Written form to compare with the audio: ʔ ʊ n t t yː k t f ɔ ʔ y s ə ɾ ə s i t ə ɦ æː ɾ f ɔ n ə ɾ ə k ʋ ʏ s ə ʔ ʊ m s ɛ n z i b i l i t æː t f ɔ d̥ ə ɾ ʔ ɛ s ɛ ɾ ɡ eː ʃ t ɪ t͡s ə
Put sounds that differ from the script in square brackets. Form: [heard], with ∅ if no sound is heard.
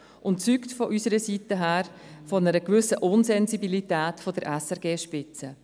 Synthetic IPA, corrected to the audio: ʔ ʊ n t [t͡s] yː k t f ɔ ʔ y s ə ɾ ə s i t ə ɦ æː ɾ f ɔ n ə ɾ ə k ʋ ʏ s ə ʔ ʊ [n] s ɛ n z i b i l i t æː t f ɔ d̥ ə ɾ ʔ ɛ s ɛ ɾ ɡ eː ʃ [p] ɪ t͡s ə